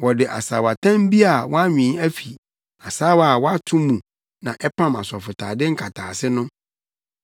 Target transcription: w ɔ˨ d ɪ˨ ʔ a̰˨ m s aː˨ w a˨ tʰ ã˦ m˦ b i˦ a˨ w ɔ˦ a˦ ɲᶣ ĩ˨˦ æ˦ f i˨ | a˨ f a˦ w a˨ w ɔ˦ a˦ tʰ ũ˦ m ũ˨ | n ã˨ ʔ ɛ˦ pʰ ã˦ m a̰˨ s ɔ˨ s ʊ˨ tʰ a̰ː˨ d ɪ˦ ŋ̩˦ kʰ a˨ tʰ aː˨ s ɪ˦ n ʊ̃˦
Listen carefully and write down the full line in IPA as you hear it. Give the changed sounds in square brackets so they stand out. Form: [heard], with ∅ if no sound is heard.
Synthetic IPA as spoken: w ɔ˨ d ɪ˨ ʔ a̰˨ [∅] s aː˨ w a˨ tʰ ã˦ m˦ b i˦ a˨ w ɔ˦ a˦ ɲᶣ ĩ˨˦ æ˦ f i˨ | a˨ [s] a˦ w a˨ w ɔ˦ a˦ tʰ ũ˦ m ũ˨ | n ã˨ ʔ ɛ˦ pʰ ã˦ m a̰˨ s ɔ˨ [f] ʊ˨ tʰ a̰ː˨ d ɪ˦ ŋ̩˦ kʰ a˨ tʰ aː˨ s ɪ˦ n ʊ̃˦